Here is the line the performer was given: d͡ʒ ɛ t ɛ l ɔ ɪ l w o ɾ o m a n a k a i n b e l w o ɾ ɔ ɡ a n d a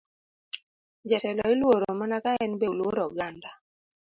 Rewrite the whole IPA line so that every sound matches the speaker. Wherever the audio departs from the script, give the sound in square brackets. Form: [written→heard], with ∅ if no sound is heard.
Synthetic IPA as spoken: d͡ʒ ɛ t ɛ l ɔ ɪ l w o ɾ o m a n a k a [i→ɛ] n b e l w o ɾ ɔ ɡ a n d a